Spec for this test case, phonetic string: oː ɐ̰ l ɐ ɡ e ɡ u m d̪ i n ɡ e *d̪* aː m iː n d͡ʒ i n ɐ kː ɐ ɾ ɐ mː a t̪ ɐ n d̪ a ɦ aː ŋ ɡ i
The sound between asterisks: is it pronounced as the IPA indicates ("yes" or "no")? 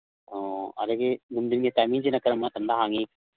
no